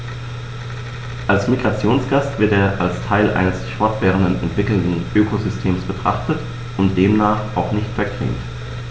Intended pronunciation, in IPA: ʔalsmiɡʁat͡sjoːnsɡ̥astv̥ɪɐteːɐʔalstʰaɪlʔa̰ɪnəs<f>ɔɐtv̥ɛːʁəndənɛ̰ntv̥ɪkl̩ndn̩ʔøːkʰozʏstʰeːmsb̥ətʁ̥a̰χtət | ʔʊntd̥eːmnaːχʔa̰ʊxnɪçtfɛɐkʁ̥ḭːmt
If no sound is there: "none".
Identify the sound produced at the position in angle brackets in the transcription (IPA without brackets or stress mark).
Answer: f